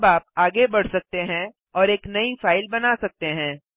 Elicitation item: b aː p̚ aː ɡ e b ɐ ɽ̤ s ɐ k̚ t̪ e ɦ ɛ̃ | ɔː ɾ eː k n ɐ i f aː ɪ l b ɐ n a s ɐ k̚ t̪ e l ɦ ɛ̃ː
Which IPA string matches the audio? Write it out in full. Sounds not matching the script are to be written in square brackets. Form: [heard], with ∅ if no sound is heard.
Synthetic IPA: b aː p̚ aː ɡ e b ɐ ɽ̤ s ɐ k̚ t̪ e ɦ ɛ̃ | ɔː ɾ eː k n ɐ i f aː ɪ l b ɐ n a s ɐ k̚ t̪ e [∅] ɦ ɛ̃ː